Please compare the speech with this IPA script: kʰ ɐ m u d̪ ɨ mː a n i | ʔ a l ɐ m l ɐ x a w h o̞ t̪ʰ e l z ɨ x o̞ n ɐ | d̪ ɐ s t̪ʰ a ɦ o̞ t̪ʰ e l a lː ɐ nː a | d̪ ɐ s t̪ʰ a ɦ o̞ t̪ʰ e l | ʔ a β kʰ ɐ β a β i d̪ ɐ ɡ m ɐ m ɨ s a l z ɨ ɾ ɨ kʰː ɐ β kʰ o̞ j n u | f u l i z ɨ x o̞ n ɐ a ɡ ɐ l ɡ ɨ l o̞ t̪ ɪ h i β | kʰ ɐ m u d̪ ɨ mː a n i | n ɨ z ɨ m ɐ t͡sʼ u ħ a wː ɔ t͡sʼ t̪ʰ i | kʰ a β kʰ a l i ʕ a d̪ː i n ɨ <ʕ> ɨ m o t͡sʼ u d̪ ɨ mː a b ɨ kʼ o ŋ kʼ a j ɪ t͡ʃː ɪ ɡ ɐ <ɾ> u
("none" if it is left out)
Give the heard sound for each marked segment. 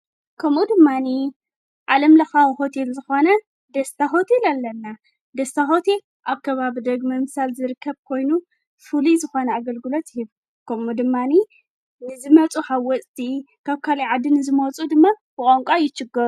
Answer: z, ɾ

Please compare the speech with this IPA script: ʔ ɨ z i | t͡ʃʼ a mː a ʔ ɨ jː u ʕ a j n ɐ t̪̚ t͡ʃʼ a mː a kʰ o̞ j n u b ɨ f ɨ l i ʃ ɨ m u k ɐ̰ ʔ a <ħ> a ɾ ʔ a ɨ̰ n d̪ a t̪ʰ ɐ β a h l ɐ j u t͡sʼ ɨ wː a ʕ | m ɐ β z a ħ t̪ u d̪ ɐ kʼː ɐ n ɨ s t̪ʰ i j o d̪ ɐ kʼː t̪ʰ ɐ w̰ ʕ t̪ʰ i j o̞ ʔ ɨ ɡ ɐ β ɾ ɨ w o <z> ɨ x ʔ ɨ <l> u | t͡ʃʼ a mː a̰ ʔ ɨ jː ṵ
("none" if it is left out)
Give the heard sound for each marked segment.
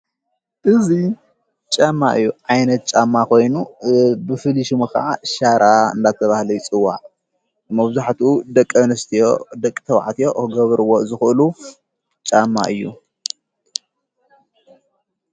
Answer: ʃ, z, l

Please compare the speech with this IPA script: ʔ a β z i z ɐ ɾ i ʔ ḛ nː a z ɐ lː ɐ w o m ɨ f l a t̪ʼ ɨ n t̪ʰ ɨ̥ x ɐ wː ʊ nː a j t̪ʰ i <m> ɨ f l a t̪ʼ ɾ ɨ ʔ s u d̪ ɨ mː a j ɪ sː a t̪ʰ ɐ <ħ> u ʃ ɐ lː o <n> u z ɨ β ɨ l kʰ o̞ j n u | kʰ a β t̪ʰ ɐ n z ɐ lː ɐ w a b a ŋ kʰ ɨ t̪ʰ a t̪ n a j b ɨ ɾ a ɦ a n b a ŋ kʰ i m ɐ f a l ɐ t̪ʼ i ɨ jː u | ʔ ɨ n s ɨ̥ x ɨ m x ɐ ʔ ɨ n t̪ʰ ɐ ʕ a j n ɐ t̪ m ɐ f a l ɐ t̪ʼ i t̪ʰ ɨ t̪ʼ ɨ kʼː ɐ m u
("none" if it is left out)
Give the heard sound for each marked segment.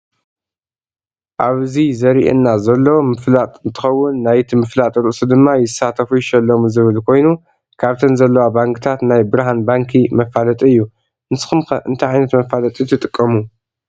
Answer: m, f, m

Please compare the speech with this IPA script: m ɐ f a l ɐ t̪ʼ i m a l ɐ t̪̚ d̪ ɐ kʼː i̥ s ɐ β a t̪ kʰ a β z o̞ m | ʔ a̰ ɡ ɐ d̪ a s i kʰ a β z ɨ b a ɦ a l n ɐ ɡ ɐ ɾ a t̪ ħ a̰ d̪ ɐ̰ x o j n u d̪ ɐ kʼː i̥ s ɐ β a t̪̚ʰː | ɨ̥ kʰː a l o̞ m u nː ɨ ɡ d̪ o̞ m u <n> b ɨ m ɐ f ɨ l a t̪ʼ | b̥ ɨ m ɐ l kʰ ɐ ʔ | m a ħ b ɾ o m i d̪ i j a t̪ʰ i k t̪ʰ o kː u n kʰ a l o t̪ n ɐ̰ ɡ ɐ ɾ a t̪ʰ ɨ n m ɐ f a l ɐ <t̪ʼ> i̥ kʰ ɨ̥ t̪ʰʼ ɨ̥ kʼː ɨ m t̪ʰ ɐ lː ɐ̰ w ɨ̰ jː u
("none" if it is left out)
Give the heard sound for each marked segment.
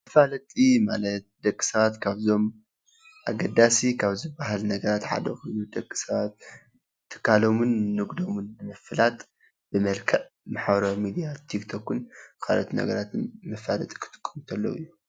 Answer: n, t̪ʼ

